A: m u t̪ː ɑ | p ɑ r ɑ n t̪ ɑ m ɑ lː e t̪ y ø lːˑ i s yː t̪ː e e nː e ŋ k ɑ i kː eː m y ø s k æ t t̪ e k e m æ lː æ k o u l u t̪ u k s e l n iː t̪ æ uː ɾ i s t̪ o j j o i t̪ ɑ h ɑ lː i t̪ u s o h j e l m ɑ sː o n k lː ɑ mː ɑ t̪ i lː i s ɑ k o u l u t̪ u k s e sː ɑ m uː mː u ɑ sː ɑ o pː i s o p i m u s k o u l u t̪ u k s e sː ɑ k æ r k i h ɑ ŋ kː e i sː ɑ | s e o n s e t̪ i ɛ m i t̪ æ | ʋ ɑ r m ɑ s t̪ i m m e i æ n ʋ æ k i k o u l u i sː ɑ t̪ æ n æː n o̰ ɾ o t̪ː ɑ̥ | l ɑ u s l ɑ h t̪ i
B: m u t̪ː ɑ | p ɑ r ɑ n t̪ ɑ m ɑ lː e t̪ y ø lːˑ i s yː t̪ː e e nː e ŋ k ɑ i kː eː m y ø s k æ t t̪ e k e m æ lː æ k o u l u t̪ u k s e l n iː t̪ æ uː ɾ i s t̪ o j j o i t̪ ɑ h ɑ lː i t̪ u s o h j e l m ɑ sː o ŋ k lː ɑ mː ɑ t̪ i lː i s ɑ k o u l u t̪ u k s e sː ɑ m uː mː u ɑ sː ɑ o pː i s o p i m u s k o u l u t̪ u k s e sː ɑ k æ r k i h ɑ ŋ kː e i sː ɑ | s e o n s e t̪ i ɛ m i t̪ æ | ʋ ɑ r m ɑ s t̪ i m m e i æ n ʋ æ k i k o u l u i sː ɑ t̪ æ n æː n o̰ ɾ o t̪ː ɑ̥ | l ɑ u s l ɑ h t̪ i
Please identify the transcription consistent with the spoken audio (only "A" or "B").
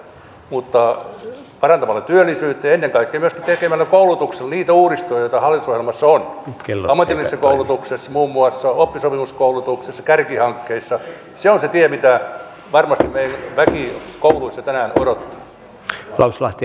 A